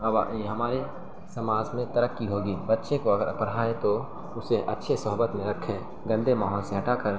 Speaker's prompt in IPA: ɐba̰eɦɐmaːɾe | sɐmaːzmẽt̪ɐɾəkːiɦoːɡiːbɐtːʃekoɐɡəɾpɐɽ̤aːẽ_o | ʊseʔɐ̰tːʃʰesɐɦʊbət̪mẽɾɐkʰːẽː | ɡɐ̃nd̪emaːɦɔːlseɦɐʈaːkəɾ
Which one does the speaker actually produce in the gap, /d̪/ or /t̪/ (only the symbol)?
t̪